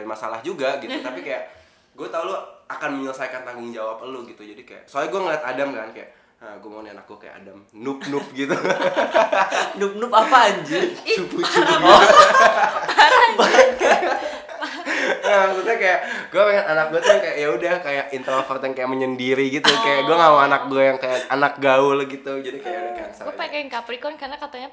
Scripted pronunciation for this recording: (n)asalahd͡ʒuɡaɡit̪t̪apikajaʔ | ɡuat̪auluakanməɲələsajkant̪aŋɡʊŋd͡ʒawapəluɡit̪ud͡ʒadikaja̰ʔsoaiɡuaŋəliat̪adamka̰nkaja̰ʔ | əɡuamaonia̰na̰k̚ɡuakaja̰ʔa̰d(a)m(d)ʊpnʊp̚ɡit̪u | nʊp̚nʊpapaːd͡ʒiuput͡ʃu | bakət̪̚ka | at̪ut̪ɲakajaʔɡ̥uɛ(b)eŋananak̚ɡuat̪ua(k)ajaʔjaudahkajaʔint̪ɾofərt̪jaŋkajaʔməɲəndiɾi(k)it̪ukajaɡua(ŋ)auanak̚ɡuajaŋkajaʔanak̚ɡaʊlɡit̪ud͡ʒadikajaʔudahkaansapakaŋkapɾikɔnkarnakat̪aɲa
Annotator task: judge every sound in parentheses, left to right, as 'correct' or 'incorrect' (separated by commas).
incorrect, correct, incorrect, incorrect, correct, incorrect, correct